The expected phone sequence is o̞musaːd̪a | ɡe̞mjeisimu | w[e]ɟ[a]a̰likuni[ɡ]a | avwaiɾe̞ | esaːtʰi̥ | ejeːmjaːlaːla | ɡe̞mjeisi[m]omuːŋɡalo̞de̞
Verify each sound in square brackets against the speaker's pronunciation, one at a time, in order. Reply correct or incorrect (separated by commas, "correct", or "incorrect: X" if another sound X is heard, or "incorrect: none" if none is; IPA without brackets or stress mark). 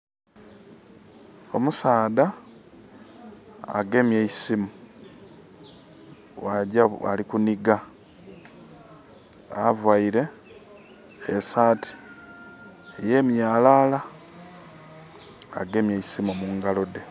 incorrect: a, correct, correct, correct